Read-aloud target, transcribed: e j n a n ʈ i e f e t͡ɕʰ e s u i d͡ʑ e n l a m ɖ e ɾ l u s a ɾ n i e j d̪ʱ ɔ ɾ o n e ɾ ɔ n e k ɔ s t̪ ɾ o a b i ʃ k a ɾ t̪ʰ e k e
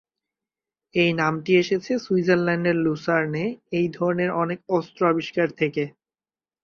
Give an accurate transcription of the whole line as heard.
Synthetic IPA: e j n a m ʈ i e ʃ e t͡ɕʰ e s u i d͡ʑ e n l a ɳ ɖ e ɾ l u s a ɾ n e e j d̪ʱ ɔ ɾ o n e ɾ ɔ n e k ɔ s t̪ ɾ o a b i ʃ k a ɾ t̪ʰ e k e